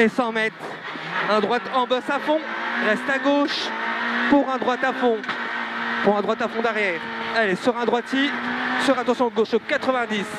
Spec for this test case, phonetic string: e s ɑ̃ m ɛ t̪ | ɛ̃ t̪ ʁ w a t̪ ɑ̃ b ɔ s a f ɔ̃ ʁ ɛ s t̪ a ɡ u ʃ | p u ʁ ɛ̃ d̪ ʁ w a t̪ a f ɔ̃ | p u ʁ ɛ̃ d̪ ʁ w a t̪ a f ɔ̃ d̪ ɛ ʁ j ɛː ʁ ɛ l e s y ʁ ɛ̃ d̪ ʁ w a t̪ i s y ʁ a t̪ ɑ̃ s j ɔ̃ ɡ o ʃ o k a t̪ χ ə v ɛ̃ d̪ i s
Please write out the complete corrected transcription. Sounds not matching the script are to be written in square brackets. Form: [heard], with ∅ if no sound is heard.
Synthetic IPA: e s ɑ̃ m ɛ t̪ | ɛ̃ [d̪] ʁ w a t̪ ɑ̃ b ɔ s a f ɔ̃ ʁ ɛ s t̪ a ɡ [o] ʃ | p u ʁ ɛ̃ d̪ ʁ w a t̪ a f ɔ̃ | p u ʁ ɛ̃ d̪ ʁ w a t̪ a f ɔ̃ d̪ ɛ ʁ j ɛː ʁ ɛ l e s y ʁ ɛ̃ d̪ ʁ w a t̪ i s y ʁ a t̪ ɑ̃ s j ɔ̃ ɡ o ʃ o k a t̪ χ ə v ɛ̃ d̪ i s